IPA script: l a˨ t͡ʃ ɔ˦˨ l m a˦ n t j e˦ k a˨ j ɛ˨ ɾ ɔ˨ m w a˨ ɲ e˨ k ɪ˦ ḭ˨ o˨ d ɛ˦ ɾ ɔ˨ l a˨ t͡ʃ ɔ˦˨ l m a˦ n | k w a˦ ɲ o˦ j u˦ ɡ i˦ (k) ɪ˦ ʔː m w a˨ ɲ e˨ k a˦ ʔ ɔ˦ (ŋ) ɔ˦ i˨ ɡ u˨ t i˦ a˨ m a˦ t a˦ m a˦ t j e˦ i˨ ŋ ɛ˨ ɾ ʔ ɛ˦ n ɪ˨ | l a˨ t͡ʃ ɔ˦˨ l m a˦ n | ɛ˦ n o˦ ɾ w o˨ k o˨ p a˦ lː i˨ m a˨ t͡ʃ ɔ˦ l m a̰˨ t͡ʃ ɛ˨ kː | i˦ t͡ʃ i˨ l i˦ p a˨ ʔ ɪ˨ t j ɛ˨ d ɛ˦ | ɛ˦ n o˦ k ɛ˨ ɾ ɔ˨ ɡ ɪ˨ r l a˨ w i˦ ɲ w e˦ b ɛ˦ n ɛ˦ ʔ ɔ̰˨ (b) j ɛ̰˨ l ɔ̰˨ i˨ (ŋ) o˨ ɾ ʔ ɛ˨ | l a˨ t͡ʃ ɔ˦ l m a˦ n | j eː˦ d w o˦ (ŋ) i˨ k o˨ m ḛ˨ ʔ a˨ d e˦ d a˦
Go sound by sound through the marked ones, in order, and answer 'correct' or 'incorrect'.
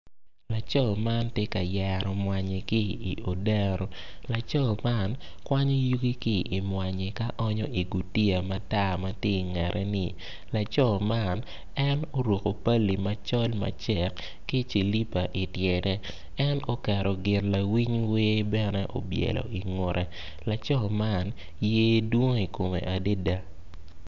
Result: correct, incorrect, correct, correct, correct

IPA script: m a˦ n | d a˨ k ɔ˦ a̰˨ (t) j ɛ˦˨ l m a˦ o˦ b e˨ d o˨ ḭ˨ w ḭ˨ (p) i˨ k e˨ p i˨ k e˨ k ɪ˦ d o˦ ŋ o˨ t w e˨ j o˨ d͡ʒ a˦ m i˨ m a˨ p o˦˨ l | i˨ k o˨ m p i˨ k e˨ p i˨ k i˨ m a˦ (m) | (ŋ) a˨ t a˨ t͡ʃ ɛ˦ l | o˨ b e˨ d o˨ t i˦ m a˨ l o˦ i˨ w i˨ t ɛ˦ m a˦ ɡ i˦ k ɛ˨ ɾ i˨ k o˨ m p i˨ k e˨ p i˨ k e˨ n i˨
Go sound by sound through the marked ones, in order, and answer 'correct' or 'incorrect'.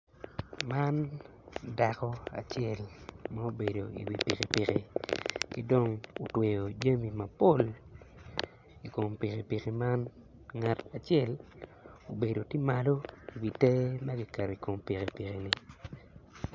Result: incorrect, correct, incorrect, correct

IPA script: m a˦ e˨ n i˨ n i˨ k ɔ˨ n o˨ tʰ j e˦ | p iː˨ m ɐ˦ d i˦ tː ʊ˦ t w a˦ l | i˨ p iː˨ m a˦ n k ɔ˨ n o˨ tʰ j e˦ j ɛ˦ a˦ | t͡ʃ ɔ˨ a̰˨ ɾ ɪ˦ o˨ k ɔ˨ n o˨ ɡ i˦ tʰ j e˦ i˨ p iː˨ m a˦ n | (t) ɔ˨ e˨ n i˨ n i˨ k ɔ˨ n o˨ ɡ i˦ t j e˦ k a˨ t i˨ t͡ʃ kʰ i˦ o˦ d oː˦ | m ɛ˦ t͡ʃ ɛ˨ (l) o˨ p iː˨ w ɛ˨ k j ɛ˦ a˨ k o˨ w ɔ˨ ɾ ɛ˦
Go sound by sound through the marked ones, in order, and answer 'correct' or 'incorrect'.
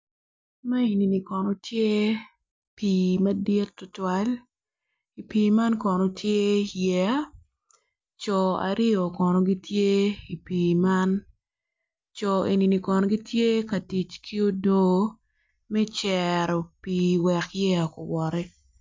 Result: incorrect, incorrect

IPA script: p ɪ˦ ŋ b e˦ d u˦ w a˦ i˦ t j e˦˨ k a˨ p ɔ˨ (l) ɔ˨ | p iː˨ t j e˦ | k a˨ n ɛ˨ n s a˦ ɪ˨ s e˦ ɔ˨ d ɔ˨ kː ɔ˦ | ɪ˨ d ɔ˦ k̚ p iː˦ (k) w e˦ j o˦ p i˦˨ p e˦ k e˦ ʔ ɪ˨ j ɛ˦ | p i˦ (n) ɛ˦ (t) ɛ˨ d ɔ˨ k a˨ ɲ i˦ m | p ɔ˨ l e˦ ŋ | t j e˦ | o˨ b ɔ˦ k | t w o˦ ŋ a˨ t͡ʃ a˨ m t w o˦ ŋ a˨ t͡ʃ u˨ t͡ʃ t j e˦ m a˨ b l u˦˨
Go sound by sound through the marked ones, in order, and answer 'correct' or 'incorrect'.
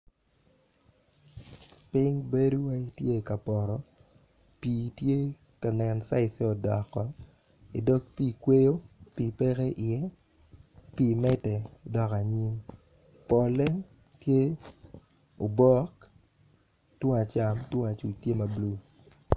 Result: incorrect, correct, incorrect, correct

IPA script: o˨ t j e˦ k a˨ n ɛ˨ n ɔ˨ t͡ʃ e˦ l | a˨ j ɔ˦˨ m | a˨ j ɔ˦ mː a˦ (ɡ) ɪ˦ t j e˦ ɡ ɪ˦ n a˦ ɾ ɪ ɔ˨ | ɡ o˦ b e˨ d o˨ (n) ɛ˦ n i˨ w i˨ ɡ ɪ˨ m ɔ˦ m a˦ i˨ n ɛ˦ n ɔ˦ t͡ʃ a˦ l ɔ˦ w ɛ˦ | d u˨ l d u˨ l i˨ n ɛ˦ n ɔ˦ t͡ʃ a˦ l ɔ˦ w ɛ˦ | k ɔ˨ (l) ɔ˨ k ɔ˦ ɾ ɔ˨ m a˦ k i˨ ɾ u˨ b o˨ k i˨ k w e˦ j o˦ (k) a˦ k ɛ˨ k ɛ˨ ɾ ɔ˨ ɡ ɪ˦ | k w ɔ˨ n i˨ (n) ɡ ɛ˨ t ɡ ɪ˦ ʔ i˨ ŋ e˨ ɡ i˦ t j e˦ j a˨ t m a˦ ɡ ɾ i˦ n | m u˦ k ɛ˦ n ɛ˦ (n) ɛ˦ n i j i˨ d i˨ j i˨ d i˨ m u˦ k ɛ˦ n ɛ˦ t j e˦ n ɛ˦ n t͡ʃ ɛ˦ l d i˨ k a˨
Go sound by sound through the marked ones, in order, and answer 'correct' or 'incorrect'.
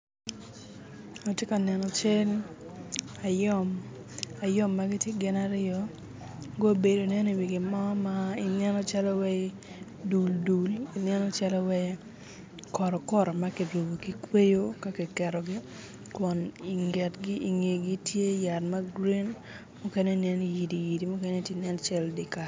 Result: correct, correct, incorrect, correct, incorrect, correct

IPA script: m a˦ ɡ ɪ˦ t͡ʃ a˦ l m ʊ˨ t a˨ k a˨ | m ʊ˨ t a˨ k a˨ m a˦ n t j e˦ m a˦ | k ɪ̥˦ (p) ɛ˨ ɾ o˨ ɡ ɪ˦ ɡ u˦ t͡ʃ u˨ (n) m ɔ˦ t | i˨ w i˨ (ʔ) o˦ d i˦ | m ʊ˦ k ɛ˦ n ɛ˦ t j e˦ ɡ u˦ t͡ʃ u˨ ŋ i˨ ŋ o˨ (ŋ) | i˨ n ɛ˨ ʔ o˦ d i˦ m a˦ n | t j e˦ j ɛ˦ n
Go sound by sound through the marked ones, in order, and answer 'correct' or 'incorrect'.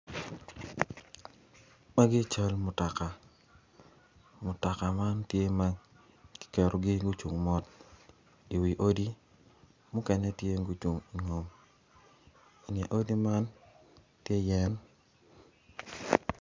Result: incorrect, incorrect, correct, incorrect

